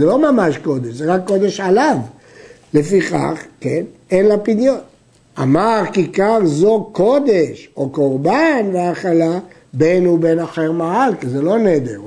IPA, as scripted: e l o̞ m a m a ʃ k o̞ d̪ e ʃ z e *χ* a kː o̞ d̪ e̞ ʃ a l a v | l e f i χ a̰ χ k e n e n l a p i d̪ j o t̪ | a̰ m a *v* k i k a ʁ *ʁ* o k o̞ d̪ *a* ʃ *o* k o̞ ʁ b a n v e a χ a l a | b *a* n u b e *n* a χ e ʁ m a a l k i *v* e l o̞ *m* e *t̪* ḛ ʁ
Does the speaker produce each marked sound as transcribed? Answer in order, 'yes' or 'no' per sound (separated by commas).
no, no, no, no, yes, no, yes, no, no, no